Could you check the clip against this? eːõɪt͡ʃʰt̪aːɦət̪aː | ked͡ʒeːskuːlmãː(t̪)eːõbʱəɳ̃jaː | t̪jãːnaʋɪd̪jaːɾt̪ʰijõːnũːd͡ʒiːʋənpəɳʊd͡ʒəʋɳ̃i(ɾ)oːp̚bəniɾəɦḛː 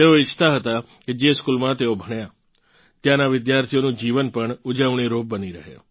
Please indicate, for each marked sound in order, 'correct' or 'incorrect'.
correct, correct

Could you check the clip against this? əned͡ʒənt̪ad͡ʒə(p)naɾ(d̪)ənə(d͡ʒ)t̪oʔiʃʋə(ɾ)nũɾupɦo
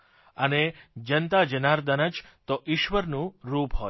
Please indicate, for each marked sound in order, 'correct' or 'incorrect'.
incorrect, correct, correct, correct

